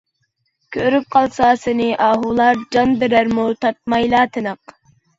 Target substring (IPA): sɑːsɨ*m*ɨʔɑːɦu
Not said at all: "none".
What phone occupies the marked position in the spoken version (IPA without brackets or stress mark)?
n